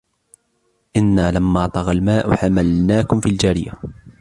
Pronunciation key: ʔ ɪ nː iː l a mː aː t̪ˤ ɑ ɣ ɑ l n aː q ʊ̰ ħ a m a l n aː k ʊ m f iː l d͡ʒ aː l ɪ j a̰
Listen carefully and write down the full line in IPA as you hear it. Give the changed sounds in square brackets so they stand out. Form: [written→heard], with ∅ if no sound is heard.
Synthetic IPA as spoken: ʔ ɪ nː [iː→aː] l a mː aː t̪ˤ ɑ ɣ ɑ l [n→m] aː [q→ʔ] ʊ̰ ħ a m a l n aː k ʊ m f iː l d͡ʒ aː [l→ɾ] ɪ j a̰